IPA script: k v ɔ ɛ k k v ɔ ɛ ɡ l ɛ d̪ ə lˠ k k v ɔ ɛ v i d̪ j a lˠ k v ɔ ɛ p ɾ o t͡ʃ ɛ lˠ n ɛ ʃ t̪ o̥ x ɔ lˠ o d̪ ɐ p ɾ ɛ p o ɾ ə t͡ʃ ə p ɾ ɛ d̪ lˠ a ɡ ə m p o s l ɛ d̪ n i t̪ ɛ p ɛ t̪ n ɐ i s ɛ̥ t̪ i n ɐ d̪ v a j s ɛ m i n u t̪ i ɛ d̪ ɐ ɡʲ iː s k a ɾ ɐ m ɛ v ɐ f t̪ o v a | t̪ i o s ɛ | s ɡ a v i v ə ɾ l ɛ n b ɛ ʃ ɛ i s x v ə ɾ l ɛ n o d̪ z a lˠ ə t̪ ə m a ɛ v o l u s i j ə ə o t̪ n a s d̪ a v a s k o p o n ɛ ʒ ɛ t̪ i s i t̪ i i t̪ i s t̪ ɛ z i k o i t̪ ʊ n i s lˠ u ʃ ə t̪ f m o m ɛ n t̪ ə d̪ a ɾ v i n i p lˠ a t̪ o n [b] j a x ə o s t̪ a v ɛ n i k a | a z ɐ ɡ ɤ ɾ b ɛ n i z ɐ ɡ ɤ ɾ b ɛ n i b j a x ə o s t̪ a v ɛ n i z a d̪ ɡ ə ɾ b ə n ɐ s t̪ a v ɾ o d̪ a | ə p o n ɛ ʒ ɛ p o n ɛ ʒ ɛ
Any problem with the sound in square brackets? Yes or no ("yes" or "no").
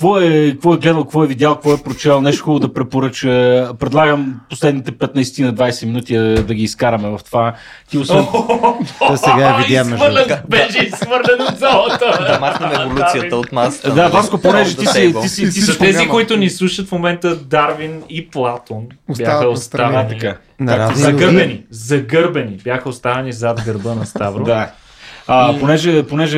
no